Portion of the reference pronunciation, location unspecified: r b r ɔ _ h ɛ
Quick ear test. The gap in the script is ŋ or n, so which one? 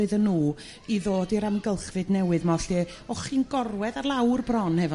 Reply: n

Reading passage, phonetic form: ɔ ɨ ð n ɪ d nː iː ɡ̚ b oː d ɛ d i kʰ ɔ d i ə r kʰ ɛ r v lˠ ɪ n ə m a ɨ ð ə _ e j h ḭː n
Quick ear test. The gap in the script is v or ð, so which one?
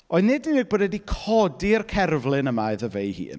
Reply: v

